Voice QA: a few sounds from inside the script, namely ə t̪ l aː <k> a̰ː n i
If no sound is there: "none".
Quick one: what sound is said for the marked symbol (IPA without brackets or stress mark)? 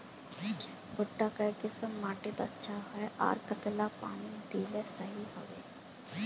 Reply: p